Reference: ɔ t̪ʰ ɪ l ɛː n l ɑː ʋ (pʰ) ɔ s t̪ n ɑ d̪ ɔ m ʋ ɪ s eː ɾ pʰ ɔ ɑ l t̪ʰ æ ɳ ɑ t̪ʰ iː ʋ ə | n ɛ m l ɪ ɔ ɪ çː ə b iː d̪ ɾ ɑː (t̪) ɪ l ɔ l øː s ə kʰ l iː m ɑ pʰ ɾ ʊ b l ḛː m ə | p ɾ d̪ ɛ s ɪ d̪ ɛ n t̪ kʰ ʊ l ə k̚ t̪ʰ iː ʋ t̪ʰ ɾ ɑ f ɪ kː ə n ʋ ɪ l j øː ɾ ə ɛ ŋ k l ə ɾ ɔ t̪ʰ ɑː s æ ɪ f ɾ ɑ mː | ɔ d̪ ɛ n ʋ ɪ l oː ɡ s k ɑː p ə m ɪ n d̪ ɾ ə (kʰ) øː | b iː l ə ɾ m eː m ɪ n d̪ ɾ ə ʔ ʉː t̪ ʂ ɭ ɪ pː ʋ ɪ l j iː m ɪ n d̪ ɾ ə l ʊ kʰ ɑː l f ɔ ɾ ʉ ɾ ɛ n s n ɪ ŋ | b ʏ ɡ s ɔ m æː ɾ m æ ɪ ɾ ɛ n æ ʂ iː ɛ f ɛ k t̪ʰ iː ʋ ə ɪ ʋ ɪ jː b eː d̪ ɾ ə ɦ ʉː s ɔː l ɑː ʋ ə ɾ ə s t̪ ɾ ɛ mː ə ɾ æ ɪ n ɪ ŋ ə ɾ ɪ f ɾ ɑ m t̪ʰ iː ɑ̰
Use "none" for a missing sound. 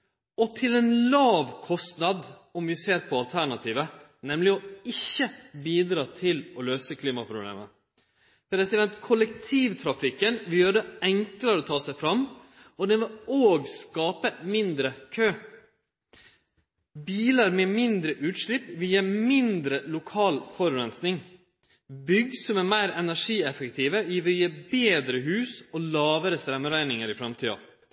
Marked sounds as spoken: kʰ, t̪ʰ, kʰ

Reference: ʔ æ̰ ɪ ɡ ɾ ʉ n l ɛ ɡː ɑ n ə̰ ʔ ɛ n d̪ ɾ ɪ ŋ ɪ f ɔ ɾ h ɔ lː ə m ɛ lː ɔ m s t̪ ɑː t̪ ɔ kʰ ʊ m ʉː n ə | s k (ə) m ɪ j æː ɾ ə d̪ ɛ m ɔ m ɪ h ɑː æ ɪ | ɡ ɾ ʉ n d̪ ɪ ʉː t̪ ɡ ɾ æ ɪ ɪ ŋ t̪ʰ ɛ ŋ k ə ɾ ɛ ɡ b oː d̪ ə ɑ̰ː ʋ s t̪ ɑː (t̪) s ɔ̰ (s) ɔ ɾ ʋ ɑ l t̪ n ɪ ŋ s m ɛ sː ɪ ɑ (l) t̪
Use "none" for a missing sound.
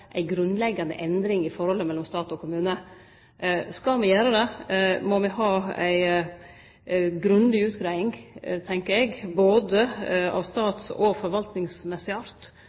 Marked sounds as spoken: ɑ, t̪, f, ɾ

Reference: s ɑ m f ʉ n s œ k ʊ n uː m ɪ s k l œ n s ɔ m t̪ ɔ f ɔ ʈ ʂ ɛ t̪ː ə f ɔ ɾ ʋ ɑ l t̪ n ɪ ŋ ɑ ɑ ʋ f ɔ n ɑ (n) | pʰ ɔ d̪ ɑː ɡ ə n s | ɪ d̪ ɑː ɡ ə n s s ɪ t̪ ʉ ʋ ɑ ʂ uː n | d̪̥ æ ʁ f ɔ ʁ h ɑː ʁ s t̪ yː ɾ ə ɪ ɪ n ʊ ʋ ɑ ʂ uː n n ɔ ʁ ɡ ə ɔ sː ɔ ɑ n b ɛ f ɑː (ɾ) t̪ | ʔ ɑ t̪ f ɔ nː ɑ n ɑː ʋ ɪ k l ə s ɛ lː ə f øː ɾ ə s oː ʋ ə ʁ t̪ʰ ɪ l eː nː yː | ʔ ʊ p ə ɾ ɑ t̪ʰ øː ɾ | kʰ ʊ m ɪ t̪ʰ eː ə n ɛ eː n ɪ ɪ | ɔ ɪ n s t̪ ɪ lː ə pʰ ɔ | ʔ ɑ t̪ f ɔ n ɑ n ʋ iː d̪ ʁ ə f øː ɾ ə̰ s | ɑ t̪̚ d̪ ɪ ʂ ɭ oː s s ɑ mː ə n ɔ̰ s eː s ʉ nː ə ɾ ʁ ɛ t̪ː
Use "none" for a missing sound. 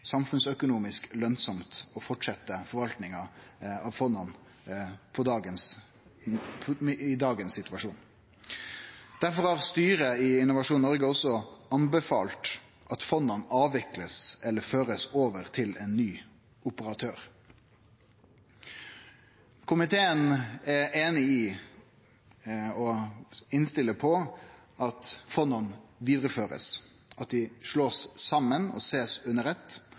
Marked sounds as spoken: n, l

